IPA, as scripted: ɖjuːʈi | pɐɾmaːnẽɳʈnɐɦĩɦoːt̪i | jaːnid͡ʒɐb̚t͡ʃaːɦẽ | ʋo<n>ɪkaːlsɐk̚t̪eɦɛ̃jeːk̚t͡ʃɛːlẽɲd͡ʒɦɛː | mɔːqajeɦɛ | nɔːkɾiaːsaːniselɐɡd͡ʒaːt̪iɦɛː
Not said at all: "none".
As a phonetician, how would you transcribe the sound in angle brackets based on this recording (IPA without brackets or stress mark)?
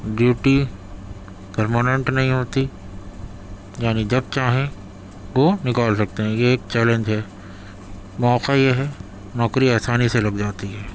n